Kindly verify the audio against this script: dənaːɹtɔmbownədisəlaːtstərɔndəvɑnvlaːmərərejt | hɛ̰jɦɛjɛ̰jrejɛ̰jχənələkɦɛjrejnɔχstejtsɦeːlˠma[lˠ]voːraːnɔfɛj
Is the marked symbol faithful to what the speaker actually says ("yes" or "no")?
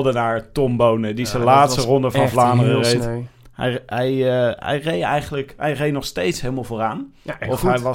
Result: yes